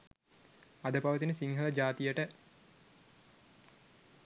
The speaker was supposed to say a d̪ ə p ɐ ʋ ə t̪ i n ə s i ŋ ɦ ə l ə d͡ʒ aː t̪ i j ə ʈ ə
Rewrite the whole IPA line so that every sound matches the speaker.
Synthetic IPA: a d̪ ə p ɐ ʋ ə t̪ i n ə s i ŋ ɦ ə l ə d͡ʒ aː t̪ i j ə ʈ ə